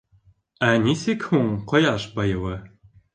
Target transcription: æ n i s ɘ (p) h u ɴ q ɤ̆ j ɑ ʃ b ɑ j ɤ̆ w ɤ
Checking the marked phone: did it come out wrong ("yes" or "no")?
yes